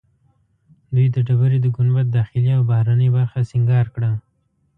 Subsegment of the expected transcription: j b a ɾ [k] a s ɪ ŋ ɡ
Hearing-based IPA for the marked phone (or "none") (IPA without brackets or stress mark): x